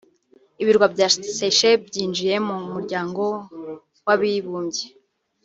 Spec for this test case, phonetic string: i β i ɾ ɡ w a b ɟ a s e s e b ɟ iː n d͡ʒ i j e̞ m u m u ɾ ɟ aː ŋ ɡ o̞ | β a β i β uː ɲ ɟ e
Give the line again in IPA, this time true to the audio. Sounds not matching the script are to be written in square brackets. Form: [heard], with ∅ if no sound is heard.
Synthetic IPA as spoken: i β i ɾ ɡ w a b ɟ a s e [ʃ] e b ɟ iː n d͡ʒ i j e̞ m u m u ɾ ɟ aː ŋ ɡ o̞ | [w] a β i β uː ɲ ɟ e